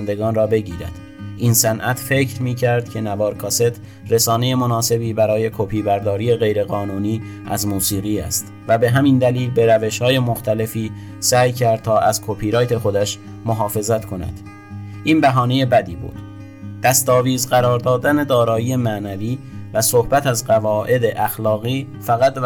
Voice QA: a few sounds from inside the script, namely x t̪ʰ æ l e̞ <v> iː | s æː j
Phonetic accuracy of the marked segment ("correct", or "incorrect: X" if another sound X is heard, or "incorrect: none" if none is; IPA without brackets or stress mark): incorrect: f